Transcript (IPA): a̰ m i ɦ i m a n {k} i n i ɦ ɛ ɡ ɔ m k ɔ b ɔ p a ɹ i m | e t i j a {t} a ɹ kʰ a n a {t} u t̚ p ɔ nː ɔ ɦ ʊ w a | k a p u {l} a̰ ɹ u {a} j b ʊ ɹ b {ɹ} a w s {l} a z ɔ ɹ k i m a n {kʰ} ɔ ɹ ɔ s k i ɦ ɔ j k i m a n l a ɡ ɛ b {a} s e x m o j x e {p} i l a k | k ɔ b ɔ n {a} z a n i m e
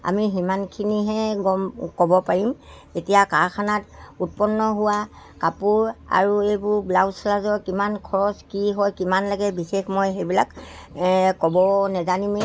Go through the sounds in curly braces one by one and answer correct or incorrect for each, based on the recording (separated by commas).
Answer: incorrect, incorrect, correct, incorrect, incorrect, incorrect, correct, correct, incorrect, incorrect, incorrect